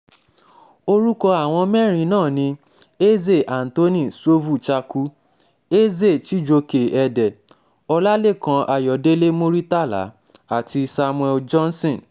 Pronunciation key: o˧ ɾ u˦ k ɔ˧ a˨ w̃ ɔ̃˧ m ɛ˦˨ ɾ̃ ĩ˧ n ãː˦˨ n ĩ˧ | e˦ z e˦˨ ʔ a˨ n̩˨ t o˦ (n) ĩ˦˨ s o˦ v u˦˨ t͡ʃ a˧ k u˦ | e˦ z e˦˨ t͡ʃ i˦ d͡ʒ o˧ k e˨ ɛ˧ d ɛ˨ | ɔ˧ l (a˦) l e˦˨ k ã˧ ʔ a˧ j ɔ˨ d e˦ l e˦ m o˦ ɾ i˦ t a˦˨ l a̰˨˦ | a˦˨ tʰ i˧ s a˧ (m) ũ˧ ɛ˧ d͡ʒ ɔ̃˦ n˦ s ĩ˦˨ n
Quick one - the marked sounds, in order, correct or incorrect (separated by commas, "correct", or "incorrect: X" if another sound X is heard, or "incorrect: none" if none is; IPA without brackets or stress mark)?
correct, correct, correct